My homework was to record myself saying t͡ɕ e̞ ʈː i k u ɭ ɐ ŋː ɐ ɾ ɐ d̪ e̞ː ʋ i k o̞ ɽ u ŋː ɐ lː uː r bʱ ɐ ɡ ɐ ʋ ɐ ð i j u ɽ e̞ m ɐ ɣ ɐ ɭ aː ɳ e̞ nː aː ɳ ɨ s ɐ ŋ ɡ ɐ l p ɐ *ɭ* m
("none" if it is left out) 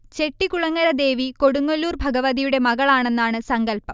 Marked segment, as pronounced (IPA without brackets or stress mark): none